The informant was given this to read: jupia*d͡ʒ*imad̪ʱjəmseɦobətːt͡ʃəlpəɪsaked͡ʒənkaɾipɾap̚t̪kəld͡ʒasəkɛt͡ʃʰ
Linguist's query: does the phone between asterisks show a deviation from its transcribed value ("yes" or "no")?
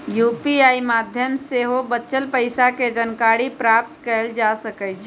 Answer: yes